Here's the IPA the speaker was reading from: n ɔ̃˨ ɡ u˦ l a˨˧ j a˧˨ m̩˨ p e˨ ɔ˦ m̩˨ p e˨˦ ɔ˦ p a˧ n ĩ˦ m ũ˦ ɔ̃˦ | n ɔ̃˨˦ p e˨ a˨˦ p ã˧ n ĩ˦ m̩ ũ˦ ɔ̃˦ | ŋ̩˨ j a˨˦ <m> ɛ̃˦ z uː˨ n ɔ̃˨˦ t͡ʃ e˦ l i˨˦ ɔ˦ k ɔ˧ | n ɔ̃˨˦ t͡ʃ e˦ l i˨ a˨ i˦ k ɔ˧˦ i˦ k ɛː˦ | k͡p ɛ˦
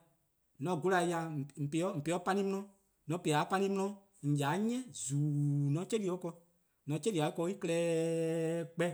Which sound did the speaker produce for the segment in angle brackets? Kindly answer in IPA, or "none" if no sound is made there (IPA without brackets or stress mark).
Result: ɲ